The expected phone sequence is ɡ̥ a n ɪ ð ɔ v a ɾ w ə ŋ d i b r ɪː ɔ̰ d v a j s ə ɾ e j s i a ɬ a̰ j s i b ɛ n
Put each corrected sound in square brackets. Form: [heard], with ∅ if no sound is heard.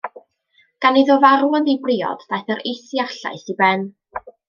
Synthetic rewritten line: ɡ̥ a n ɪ ð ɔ v a ɾ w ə [n] d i b r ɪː ɔ̰ d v a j [θ] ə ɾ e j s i a ɬ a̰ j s i b ɛ n